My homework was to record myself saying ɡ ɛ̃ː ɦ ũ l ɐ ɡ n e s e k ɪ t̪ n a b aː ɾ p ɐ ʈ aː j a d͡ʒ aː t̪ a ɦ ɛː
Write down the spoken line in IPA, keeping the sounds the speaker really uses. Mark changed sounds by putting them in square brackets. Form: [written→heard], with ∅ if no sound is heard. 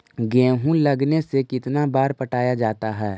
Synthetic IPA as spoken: ɡ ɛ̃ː ɦ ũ l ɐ ɡ n e s e k ɪ t̪ n a b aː ɾ p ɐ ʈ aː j a d͡ʒ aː t̪ a ɦ ɛː